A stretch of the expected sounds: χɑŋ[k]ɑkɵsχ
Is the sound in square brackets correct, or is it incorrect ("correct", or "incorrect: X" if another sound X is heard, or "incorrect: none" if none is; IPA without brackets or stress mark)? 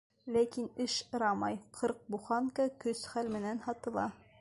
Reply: correct